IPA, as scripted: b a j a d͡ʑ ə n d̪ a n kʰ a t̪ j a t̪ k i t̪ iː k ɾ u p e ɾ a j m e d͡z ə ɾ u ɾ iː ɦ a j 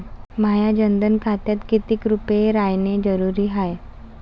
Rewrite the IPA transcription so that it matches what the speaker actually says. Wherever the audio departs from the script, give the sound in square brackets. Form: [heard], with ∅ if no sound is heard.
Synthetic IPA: [m] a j a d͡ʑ ə n d̪ [ə] n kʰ a t̪ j a t̪ k i t̪ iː k ɾ u p e ɾ a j [n] e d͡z ə ɾ u ɾ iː ɦ a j